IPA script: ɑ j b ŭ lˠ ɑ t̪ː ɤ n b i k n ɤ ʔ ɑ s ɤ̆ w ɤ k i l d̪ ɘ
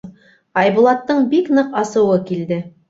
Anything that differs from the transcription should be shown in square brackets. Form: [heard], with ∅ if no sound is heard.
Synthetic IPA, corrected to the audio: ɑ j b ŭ lˠ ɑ t̪ː ɤ [ɴ] b i k n ɤ [q] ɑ s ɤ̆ w ɤ k i l d̪ ɘ